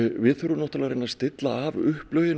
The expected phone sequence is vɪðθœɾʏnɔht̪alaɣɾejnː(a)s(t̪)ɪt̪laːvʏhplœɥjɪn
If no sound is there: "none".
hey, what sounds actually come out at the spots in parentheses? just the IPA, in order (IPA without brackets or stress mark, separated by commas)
a, t̪